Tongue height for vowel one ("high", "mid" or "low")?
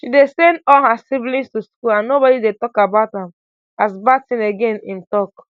high